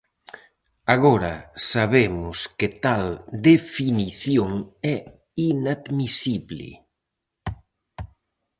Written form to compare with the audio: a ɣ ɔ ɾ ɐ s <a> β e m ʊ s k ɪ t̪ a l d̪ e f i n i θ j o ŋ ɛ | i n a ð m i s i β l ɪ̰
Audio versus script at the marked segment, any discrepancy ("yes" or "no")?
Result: no